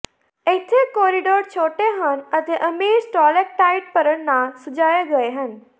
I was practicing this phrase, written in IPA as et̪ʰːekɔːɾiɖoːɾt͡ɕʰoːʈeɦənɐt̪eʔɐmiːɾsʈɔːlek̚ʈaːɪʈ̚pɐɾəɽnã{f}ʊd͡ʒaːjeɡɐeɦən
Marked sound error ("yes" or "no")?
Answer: yes